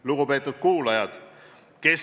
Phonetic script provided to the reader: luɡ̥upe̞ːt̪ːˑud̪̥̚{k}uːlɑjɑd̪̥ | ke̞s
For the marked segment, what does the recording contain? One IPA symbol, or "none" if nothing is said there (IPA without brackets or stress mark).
k